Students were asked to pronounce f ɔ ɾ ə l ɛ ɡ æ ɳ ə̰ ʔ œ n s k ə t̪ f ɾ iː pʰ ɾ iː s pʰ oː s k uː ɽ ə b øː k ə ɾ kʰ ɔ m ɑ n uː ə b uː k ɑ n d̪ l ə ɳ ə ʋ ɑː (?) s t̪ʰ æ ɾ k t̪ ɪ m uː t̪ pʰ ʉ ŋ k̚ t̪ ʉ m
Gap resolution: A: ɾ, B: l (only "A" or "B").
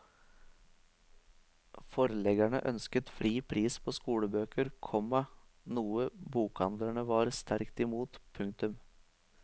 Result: A